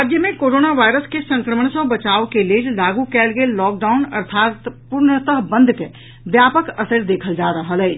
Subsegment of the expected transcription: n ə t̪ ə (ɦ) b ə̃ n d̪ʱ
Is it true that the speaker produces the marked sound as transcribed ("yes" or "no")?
yes